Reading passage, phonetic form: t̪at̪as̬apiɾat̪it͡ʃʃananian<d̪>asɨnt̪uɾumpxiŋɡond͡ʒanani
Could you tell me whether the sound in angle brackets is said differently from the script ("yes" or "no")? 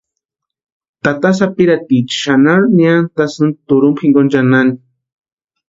yes